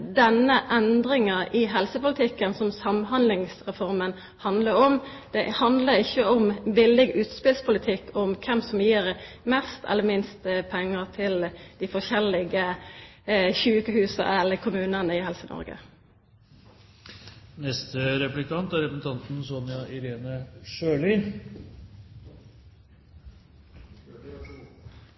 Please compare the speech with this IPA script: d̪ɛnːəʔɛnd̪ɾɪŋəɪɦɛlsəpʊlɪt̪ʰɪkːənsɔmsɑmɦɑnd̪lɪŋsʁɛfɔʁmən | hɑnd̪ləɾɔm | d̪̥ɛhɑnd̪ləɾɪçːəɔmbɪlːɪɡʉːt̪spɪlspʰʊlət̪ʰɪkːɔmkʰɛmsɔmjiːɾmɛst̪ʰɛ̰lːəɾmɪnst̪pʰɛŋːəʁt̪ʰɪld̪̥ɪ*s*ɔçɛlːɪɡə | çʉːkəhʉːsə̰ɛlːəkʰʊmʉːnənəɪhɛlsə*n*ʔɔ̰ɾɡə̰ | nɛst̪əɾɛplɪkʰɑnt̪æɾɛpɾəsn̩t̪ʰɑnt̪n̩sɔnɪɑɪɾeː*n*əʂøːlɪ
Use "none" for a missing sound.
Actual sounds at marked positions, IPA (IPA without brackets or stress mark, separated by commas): f, n, n